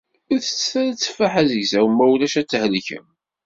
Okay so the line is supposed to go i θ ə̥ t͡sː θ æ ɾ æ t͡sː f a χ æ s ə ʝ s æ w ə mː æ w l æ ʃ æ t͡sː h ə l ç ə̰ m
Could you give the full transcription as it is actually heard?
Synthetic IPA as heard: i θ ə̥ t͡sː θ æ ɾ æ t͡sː f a ħ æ z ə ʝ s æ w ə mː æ w l æ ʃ æ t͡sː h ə l ç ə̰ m